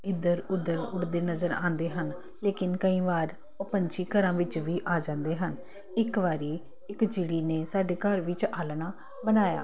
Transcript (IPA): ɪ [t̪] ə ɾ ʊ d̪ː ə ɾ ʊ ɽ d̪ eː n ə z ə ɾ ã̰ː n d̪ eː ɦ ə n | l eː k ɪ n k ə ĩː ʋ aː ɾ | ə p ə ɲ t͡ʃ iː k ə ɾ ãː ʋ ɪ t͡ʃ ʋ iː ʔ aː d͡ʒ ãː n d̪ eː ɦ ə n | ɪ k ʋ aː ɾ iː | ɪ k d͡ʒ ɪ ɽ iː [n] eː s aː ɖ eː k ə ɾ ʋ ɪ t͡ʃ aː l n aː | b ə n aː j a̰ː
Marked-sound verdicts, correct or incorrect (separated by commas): incorrect, correct